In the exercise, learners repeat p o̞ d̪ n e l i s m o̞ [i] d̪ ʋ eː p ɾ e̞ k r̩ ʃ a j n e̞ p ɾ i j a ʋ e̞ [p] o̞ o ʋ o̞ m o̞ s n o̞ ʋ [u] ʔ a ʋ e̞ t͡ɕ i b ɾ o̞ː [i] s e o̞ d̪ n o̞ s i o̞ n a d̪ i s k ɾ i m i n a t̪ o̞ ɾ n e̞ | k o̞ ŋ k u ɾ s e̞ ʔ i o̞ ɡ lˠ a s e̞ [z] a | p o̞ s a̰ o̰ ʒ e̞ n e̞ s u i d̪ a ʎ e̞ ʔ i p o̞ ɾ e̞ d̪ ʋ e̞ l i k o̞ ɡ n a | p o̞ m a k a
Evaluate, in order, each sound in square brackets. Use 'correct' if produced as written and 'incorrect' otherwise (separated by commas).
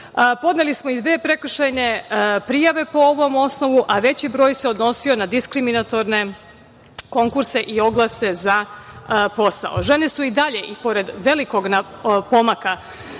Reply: correct, correct, correct, incorrect, correct